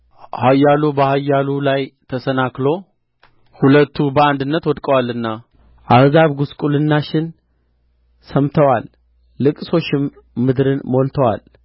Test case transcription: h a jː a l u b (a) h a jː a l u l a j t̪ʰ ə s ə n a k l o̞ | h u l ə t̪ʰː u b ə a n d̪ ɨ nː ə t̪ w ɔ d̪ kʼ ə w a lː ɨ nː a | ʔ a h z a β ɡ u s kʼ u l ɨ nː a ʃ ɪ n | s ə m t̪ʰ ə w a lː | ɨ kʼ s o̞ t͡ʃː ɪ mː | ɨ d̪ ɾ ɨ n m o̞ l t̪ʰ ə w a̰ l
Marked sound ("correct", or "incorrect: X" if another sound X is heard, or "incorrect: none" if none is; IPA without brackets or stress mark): incorrect: ə